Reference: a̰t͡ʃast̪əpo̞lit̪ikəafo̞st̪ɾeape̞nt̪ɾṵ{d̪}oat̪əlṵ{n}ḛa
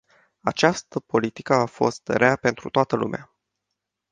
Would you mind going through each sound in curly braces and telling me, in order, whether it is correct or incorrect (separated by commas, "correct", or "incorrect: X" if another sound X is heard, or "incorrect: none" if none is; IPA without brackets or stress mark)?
incorrect: t̪, incorrect: m